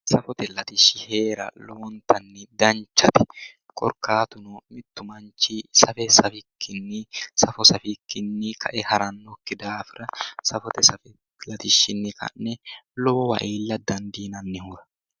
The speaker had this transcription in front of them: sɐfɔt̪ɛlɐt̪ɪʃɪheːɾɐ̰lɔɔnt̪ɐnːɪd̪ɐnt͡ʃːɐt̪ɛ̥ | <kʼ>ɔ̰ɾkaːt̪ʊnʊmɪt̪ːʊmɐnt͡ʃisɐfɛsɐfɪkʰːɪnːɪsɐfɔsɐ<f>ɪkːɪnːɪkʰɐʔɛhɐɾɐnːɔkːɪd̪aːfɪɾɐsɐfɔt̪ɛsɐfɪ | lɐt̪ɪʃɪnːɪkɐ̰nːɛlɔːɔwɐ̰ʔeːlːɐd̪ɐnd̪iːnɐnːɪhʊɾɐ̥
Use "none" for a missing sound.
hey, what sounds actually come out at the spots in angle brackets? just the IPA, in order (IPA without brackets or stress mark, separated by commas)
kʼ, f